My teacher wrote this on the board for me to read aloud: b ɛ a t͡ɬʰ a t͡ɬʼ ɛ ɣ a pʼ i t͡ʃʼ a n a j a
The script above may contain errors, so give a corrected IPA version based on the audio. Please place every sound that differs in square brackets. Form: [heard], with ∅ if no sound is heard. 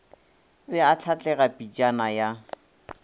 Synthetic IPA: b ɛ a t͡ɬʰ a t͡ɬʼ ɛ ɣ a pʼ i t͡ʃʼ a n a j a